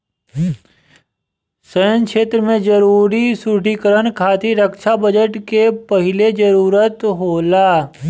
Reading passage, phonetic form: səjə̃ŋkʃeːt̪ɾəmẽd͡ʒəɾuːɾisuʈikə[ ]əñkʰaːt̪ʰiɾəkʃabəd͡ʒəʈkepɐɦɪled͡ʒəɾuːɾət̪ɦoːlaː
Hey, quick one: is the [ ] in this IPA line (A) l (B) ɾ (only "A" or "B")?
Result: B